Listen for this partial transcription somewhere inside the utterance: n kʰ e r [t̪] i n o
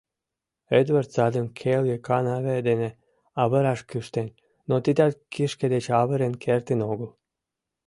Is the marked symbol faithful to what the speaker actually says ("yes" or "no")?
yes